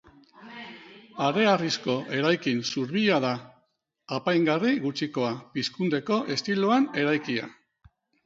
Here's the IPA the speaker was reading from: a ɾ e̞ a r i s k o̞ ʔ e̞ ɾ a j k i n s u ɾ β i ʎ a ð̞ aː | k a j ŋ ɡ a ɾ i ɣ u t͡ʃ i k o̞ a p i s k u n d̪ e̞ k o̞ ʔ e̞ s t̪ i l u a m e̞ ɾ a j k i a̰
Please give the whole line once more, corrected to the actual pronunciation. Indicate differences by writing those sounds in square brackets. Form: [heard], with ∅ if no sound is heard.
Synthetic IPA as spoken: a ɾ e̞ a r i s k o̞ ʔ e̞ ɾ a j k i n s u ɾ β i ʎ a ð̞ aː | [p] a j ŋ ɡ a [r] i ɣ u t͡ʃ i k o̞ a p i s k u n d̪ e̞ k o̞ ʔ e̞ s t̪ i l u a [n] e̞ ɾ a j k i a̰